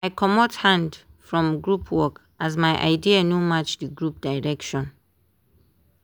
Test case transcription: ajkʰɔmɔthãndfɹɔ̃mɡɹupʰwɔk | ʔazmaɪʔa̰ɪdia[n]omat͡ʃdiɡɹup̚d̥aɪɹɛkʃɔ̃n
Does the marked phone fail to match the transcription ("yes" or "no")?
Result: no